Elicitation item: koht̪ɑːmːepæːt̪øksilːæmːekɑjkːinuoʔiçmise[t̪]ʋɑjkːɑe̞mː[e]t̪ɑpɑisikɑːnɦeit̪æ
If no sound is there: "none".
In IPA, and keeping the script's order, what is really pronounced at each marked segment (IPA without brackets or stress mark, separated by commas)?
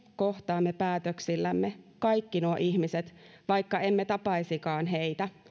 t̪, e